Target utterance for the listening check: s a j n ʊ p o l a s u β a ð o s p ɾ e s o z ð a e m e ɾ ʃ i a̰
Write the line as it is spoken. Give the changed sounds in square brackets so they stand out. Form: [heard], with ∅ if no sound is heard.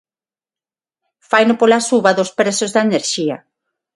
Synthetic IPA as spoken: [f] a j n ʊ p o l a s u β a ð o s p ɾ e s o z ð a e [n] e ɾ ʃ i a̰